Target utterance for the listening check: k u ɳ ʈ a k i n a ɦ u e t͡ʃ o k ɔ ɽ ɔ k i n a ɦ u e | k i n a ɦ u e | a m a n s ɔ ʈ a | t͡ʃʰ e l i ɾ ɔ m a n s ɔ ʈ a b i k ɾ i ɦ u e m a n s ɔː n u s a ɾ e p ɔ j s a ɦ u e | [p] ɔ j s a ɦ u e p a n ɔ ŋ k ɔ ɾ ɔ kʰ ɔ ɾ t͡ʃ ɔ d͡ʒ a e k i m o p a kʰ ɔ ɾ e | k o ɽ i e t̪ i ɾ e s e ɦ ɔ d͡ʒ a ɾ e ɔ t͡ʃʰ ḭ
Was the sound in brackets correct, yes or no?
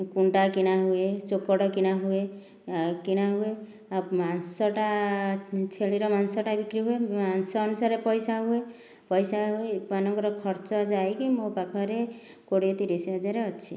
yes